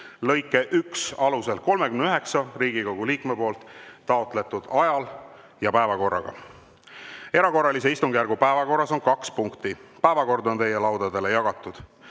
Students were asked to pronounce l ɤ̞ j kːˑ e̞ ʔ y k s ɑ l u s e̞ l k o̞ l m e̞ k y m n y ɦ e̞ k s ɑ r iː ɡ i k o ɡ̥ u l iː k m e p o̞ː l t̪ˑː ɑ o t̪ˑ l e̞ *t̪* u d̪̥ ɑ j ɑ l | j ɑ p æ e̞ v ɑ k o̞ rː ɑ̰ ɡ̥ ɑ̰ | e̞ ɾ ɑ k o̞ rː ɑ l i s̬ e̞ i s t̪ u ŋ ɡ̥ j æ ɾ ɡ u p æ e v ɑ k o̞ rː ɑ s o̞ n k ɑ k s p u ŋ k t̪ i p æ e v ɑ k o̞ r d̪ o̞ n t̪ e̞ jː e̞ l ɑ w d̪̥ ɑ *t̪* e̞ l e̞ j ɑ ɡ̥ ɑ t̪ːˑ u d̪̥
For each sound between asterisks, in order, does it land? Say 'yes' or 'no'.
yes, no

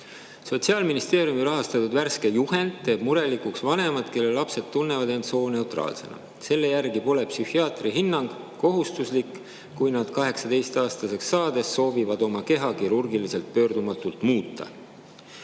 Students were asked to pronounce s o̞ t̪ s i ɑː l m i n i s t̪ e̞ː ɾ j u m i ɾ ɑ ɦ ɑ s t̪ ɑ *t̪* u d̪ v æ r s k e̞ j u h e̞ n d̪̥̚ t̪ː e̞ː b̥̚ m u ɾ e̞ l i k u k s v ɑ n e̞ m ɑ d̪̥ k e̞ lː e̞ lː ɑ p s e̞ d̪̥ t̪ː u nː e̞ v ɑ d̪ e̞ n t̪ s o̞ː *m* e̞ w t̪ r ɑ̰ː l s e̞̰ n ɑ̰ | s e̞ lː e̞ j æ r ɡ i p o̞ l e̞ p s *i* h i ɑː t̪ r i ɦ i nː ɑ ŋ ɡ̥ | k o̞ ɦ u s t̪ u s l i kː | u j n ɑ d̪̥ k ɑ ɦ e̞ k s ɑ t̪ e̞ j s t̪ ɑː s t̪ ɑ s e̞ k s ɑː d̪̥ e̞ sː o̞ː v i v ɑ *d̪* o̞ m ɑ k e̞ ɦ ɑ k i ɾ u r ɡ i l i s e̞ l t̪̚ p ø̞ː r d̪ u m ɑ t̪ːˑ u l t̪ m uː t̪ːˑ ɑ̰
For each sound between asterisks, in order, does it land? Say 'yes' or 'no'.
yes, no, no, yes

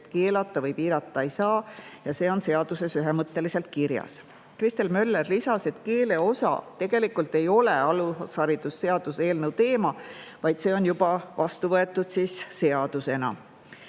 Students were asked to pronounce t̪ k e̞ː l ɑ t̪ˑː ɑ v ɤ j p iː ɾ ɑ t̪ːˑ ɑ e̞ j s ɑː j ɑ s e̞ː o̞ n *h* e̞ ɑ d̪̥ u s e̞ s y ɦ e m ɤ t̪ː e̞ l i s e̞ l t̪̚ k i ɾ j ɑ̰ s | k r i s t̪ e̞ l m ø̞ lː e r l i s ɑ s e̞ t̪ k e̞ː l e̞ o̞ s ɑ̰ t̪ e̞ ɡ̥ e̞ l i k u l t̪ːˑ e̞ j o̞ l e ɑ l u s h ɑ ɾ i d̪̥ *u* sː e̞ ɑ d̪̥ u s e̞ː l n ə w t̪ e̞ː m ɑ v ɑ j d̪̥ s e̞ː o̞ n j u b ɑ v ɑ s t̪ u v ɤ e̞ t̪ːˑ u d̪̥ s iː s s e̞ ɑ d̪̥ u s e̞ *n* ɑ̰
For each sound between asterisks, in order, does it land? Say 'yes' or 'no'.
no, yes, yes

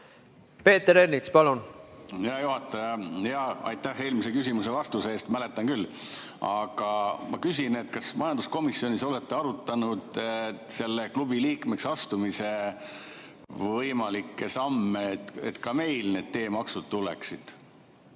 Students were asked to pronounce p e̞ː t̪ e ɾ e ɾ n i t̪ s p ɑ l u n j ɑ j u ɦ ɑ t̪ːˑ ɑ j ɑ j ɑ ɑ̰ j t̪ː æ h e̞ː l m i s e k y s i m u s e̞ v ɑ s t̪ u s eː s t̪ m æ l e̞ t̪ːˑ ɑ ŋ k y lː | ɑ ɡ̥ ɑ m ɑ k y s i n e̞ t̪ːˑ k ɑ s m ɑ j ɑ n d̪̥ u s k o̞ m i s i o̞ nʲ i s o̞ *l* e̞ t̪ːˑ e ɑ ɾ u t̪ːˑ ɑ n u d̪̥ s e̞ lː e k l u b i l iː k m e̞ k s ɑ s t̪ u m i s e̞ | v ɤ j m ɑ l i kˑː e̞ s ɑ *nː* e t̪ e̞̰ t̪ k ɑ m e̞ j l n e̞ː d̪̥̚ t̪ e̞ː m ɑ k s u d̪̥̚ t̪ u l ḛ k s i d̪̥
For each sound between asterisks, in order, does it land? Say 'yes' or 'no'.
yes, no

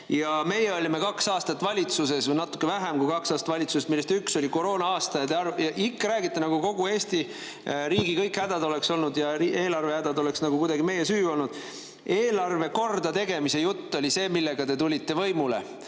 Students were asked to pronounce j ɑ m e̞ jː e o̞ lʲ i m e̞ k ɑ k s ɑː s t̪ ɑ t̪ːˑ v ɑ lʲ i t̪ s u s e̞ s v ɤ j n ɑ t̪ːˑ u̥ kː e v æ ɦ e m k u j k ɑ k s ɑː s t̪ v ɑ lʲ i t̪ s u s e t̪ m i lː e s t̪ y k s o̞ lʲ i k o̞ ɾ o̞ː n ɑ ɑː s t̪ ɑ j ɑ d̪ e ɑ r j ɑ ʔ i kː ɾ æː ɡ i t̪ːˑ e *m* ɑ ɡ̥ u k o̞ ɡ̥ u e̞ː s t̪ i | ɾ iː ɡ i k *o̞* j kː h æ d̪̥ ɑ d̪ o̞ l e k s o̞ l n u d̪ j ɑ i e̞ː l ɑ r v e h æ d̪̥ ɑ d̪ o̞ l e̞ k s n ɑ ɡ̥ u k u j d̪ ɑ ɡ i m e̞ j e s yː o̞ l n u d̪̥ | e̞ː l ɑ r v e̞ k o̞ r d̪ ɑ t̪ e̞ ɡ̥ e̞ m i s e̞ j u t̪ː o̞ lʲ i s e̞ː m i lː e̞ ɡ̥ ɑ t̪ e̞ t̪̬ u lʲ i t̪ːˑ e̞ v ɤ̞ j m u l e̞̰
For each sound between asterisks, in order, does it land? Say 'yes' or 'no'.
no, no

